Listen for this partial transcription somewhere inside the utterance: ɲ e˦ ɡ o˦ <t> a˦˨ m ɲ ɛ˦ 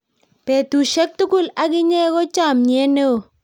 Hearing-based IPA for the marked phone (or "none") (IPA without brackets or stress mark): t͡ʃ